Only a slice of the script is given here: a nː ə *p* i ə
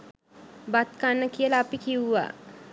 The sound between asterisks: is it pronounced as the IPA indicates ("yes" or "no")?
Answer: no